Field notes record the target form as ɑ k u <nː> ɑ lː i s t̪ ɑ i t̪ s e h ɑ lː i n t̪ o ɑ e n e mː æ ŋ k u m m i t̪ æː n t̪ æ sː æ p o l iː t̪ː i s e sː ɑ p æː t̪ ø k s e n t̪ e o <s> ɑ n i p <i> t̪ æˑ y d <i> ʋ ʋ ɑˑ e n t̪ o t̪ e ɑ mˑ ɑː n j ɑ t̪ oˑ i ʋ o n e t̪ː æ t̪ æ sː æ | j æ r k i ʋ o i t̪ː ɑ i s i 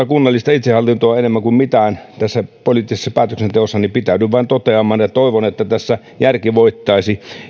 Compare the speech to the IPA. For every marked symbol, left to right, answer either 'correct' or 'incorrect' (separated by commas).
correct, incorrect, correct, incorrect